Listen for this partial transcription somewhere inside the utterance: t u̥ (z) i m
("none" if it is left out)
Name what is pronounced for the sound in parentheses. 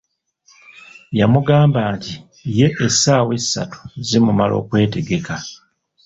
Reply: z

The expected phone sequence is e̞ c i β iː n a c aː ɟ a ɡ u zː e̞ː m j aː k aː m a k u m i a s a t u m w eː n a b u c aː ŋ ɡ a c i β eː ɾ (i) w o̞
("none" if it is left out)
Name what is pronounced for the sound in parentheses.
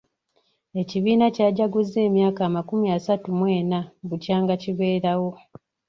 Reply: a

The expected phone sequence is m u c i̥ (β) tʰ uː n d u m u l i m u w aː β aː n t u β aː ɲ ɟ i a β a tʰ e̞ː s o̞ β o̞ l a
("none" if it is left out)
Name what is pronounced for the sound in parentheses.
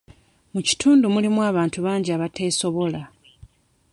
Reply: none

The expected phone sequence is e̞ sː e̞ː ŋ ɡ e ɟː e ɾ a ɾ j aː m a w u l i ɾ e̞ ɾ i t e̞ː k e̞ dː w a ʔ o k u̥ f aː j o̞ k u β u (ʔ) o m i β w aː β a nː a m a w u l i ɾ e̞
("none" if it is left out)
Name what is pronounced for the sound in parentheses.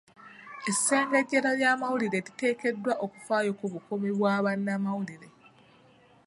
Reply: k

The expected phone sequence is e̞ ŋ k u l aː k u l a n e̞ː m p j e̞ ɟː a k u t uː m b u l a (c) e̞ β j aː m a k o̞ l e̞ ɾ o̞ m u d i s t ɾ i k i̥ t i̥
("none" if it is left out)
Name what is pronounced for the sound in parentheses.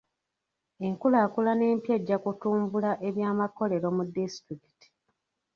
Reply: ʔ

